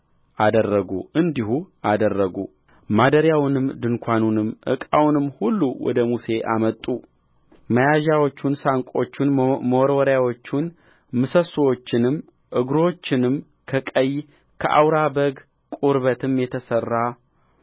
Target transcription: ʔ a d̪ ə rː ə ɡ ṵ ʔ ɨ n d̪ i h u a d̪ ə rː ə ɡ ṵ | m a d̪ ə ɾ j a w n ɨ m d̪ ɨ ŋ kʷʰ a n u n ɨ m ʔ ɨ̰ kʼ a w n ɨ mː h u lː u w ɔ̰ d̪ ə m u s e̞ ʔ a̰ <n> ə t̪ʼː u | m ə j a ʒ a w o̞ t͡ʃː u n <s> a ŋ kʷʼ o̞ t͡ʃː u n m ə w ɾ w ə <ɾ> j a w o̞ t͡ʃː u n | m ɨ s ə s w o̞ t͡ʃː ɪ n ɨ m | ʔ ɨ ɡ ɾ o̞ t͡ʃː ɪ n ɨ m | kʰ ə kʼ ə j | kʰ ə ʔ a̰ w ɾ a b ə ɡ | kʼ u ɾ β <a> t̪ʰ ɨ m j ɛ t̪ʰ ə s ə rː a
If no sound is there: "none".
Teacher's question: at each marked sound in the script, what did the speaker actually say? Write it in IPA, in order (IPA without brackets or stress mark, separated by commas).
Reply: m, s, ɾ, ə